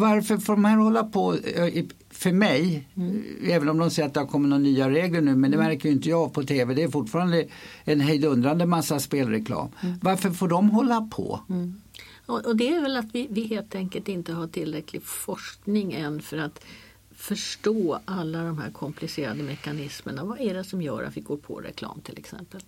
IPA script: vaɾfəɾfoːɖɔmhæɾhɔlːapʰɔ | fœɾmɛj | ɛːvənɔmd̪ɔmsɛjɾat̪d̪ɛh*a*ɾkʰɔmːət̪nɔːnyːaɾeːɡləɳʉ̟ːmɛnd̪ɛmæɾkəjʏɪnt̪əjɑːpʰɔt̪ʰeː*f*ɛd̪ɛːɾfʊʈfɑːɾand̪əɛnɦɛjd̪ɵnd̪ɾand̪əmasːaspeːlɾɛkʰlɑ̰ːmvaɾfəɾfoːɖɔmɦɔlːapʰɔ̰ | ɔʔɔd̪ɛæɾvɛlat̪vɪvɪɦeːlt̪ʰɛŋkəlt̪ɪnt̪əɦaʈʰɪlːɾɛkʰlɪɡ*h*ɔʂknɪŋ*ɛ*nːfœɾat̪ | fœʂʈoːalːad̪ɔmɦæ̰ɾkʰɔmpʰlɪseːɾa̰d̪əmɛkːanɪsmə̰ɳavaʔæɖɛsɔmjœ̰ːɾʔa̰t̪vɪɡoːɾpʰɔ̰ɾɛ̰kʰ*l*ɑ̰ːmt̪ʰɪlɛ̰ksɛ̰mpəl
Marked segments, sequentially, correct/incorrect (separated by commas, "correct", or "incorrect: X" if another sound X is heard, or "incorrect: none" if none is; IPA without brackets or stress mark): correct, incorrect: v, incorrect: f, correct, correct